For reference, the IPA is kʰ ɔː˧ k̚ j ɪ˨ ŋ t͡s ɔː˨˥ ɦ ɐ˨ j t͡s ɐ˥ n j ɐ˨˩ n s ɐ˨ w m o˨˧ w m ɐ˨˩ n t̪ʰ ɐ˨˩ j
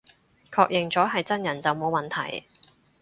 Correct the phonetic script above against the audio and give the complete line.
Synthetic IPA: kʰ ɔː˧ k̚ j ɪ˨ ŋ t͡s ɔː˨˥ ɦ ɐ˨ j t͡s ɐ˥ n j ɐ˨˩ n t͡s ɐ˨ w m o˨˧ w m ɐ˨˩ n t̪ʰ ɐ˨˩ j